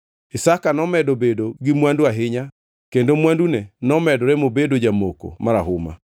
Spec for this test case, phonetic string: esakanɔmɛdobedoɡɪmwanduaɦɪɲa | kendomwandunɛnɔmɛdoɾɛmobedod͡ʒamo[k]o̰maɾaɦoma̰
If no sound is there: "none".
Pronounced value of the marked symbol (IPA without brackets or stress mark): k